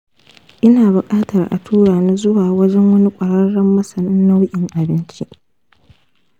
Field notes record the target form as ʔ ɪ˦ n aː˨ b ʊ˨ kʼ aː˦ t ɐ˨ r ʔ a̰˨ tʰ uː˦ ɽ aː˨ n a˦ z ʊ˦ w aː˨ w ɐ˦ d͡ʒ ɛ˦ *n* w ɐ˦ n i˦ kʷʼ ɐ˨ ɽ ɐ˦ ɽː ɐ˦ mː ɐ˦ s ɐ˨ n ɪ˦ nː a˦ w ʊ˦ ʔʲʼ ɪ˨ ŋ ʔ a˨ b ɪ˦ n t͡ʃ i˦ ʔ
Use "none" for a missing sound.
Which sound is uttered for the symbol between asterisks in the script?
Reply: ŋ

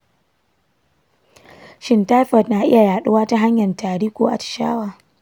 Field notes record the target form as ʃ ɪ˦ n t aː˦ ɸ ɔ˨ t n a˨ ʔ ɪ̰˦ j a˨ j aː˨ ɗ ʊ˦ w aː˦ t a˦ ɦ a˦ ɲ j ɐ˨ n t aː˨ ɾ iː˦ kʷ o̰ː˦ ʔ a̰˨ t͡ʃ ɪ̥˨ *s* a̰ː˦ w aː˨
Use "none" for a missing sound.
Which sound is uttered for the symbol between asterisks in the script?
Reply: ʃ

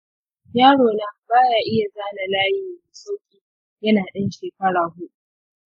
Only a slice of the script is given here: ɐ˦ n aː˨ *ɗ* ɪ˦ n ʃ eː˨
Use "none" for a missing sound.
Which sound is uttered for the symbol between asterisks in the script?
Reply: ɗ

